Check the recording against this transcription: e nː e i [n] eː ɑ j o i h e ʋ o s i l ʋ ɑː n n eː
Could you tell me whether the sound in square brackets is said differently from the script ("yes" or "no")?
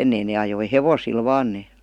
no